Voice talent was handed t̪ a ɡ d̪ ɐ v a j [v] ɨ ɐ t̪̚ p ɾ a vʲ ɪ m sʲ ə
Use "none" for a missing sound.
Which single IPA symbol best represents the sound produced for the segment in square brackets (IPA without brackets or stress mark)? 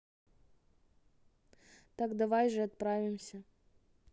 ʐ